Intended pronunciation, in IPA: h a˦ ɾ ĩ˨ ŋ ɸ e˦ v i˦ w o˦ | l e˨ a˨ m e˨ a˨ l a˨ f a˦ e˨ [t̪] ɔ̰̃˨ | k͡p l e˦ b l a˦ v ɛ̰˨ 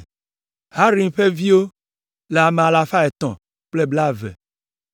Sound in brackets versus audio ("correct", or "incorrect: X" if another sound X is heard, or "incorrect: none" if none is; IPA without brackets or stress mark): correct